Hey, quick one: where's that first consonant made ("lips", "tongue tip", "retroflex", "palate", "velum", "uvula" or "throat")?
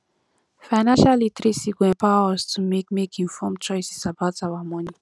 lips